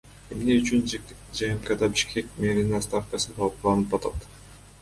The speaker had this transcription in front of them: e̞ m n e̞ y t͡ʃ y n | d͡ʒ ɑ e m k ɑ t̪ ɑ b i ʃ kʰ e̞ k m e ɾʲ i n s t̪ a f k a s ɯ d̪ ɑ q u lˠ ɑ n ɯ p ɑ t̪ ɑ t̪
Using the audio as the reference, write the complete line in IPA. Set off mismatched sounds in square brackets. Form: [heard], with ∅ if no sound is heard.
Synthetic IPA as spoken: e̞ m n e̞ y t͡ʃ y n | d͡ʒ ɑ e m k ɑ [d̪] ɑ b i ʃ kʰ e̞ k m e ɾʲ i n s t̪ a f k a s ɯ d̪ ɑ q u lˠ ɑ n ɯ p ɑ t̪ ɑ t̪